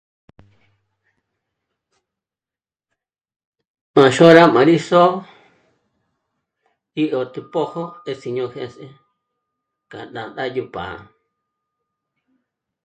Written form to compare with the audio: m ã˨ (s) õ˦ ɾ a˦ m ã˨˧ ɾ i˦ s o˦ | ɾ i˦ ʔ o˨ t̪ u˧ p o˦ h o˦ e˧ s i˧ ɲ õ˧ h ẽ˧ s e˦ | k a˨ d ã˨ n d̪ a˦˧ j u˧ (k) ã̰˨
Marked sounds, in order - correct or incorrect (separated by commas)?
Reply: incorrect, incorrect